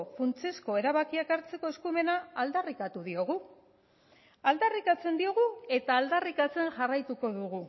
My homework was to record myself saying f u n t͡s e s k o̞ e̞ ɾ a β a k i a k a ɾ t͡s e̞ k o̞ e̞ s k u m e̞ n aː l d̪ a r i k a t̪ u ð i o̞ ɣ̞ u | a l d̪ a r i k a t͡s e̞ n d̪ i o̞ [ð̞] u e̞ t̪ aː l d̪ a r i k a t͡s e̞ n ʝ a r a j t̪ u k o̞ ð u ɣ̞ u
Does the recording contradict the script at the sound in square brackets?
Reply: yes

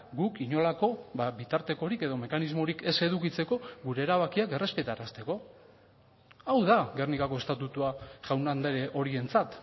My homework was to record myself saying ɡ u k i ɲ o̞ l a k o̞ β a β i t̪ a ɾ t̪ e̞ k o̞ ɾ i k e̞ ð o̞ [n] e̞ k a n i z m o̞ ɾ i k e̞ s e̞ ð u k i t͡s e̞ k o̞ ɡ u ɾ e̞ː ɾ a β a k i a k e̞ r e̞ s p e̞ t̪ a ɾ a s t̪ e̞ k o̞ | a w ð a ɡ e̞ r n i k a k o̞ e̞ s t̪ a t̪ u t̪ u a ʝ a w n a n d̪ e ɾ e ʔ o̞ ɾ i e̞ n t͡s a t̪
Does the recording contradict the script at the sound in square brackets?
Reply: yes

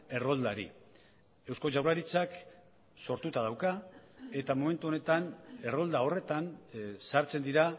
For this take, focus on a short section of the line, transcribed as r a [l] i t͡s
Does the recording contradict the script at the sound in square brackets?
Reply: yes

